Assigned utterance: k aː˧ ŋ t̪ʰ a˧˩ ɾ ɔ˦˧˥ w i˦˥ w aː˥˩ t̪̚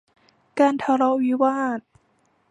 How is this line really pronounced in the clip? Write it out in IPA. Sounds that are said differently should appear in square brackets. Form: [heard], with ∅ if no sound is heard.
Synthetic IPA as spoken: k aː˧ [n] t̪ʰ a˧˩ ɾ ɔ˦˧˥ w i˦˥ w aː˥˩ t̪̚